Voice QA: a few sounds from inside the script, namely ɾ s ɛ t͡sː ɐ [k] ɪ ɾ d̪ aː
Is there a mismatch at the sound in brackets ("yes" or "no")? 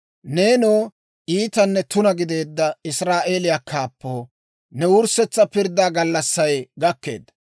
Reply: yes